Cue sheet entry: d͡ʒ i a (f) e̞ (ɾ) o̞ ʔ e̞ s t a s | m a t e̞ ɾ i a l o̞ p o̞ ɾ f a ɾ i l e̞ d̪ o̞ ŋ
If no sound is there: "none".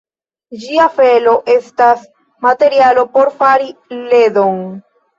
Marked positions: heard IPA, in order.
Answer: f, l

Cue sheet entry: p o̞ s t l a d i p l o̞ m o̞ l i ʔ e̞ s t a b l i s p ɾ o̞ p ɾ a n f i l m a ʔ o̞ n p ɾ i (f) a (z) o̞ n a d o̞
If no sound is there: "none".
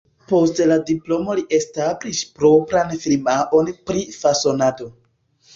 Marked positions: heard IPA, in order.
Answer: f, s

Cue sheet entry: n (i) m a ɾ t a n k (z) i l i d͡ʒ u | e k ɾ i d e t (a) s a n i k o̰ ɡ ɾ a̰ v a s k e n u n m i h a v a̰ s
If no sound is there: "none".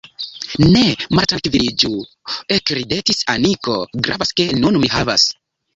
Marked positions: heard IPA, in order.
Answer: e, v, i

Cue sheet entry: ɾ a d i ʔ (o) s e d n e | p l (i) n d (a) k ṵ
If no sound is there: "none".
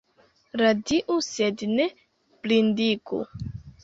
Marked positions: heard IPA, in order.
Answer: u, i, i

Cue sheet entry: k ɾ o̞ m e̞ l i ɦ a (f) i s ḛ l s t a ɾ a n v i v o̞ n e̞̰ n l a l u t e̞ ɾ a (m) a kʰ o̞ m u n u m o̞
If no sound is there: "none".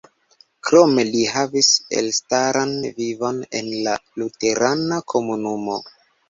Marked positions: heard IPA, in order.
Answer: v, n

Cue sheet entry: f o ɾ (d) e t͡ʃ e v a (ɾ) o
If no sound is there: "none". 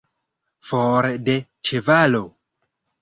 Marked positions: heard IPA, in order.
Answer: d, l

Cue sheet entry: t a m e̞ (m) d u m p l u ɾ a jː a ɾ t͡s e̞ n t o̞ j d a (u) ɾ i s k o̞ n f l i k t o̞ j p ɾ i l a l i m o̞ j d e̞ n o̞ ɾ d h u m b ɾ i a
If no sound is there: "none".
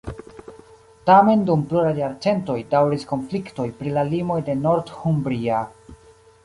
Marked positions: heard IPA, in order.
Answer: n, w

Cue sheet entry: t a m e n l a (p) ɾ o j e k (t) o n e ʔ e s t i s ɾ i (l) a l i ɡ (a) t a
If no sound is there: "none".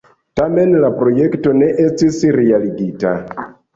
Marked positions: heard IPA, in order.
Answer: p, t, none, i

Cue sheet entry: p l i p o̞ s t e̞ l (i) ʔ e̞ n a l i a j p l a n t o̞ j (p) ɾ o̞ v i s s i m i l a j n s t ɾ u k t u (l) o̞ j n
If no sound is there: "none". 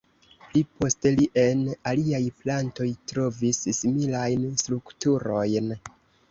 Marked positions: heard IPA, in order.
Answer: i, t, ɾ

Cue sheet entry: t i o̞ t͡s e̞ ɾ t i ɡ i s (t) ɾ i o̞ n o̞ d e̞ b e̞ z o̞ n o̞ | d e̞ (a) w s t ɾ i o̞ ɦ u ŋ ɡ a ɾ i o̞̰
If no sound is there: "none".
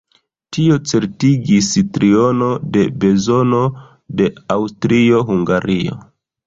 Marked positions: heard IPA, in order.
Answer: t, a

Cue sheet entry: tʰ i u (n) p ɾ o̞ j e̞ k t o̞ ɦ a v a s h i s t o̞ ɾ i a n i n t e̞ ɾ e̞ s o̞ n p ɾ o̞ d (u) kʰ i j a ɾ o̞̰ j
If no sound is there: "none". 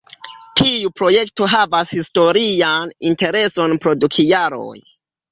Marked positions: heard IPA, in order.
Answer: none, u

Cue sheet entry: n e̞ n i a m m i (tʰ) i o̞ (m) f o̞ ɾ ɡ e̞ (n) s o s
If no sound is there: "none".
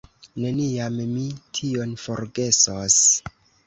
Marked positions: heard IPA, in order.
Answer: tʰ, n, none

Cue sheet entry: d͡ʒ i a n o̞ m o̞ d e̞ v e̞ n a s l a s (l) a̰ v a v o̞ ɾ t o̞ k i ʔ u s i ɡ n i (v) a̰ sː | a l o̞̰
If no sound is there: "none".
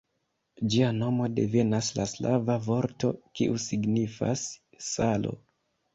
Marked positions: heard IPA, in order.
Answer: l, f

